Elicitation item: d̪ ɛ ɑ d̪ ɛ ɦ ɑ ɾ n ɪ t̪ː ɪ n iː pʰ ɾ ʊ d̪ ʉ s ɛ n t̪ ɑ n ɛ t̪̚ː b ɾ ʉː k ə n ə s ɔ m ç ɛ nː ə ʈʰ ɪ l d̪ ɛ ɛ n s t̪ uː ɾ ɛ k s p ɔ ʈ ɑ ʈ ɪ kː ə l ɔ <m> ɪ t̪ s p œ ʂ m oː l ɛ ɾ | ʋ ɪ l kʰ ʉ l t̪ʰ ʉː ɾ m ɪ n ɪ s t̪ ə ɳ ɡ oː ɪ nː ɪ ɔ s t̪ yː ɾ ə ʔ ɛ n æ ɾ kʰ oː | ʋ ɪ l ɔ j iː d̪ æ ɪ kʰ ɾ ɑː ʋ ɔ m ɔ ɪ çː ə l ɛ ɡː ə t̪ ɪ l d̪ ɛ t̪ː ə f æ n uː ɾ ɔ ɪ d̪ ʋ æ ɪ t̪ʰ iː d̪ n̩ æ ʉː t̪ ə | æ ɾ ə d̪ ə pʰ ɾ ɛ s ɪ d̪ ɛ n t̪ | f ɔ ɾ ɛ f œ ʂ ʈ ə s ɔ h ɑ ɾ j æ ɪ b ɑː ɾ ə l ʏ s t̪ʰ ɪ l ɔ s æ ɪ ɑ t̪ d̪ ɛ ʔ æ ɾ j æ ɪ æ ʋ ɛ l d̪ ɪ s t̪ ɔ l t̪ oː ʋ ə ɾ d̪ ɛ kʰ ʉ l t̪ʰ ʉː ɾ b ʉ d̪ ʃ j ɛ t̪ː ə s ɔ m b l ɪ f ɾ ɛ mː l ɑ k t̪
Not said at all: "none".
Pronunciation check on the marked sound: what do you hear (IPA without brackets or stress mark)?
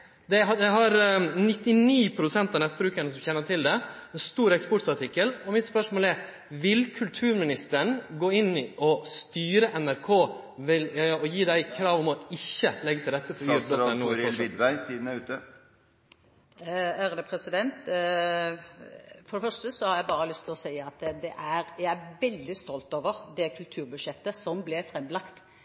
m